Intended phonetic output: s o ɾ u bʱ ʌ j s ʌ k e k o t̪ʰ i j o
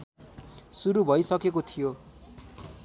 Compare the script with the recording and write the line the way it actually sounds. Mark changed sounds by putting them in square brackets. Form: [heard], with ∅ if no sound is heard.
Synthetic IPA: s [u] ɾ u bʱ ʌ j s ʌ k e k o t̪ʰ i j o